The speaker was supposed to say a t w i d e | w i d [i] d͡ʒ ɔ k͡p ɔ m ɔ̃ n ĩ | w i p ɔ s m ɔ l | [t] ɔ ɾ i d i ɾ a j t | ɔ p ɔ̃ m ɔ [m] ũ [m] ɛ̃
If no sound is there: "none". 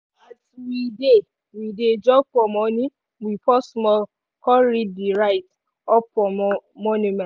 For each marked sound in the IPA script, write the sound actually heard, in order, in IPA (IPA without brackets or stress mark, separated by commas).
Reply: e, k, n, m